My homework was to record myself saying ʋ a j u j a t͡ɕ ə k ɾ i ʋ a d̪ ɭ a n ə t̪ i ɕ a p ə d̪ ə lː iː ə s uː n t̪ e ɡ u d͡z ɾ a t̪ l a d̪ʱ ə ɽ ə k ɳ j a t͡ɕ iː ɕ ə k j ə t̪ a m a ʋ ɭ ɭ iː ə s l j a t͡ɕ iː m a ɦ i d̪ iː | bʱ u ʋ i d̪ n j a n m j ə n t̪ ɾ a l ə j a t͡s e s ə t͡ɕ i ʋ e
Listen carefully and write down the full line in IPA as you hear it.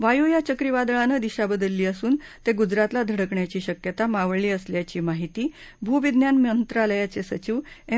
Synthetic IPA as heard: ʋ a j u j a t͡ɕ ə k ɾ i ʋ a d̪ ɭ a n ə d̪ i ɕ a b ə d̪ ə lː iː ə s uː n t̪ e ɡ u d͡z ɾ a t̪ l a d̪ʱ ə ɽ ə k ɳ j a t͡ɕ iː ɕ ə k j ə t̪ a m a ʋ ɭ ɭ iː ə s l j a t͡ɕ iː m a ɦ i t̪ iː | bʱ u ʋ i d̪ n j a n m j ə n t̪ ɾ a l ə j a t͡s e s ə t͡ɕ i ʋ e